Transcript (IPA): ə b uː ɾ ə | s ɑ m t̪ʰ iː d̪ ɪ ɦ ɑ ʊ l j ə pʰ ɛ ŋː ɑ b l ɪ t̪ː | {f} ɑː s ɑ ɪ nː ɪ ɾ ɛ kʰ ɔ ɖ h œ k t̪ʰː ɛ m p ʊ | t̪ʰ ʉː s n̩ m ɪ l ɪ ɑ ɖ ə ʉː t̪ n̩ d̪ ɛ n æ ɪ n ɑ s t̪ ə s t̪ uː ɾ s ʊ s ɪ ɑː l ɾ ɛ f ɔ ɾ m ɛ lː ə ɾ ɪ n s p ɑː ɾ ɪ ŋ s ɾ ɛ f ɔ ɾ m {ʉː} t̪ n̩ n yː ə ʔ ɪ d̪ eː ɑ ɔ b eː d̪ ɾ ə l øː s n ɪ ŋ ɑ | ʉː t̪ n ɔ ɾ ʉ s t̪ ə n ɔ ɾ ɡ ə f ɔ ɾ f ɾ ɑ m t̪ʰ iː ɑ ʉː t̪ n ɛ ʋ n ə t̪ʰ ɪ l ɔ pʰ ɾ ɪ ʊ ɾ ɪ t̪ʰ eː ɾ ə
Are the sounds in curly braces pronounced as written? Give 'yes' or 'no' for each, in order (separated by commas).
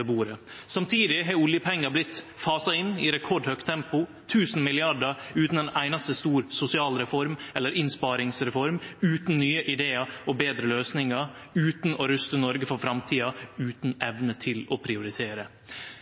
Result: yes, yes